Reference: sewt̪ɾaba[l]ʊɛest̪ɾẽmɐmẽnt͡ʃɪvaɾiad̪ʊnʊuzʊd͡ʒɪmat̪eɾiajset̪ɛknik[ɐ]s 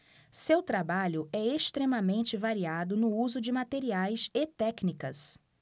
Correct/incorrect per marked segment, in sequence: incorrect: ʎ, correct

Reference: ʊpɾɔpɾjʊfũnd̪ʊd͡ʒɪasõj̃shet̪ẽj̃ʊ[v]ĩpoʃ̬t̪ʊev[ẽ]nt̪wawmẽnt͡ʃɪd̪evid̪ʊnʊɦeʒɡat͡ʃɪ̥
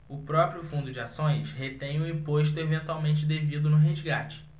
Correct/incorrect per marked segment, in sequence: incorrect: none, correct

